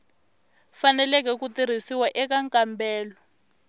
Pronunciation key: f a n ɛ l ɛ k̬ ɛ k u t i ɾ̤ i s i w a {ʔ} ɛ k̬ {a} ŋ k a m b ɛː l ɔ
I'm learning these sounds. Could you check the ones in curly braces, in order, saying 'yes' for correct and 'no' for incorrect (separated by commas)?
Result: yes, yes